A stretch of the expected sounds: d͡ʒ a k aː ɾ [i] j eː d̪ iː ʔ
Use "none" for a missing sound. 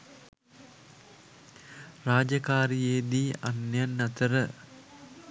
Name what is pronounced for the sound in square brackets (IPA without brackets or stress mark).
i